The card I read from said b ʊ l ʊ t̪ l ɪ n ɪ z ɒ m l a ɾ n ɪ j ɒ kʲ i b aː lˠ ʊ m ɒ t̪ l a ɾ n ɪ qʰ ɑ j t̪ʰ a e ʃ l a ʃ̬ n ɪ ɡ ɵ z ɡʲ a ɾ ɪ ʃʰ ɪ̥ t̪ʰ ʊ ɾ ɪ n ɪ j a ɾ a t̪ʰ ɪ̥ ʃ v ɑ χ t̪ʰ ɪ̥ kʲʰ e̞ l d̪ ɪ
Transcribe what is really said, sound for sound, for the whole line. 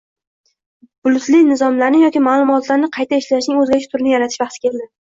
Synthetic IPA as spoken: b ʊ l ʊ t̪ l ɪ n ɪ z ɒ m l a ɾ n ɪ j ɒ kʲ i m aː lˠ ʊ m ɒ t̪ l a ɾ n ɪ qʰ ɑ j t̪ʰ a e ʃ l a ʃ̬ n ɪ ŋ ɵ z ɡʲ a ɾ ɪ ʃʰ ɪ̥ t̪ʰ ʊ ɾ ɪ n ɪ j a ɾ a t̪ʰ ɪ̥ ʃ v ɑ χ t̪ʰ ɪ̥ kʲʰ e̞ l d̪ ɪ

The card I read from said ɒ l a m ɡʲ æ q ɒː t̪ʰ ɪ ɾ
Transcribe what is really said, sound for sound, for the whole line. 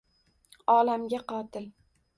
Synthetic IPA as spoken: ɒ l a m ɡʲ a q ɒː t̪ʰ ɪ l

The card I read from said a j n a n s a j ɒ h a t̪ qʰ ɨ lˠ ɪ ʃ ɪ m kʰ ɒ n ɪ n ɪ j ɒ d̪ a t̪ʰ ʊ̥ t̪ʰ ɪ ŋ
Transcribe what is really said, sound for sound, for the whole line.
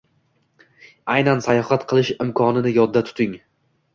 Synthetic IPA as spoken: a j n a n s a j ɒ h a t̪ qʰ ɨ lˠ ɪ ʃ ɪ m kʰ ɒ n ɪ n ɪ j ɒ d̪ː a t̪ʰ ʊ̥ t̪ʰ ɪ ŋ

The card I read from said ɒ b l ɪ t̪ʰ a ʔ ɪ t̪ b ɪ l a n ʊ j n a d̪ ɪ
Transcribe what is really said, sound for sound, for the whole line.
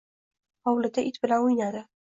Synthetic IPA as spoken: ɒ w l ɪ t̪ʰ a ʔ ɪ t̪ b ɪ l a n ʊ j n a d̪ ɪ

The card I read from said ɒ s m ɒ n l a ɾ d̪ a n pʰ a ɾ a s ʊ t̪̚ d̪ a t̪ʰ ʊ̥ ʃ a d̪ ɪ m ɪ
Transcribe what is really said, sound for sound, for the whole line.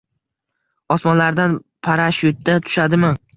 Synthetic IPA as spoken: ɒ s m ɒ n l a ɾ d̪ a n pʰ a ɾ a ʃ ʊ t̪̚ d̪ a t̪ʰ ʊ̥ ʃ a d̪ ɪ m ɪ

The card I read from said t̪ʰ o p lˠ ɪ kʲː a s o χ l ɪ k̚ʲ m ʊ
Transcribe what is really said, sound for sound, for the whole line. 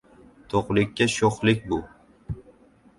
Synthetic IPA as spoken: t̪ʰ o q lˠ ɪ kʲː a ʃ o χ l ɪ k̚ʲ b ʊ

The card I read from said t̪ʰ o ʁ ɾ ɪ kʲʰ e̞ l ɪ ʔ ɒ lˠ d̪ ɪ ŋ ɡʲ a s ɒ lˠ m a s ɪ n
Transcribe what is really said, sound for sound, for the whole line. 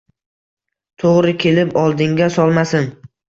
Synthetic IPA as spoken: t̪ʰ o ʁ ɾ ɪ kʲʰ e̞ l ɪ p ɒ lˠ d̪ ɪ ŋ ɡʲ a s ɒ lˠ m a s ɪ n

